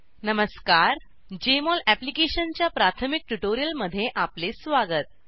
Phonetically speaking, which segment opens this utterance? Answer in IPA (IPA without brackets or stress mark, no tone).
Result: n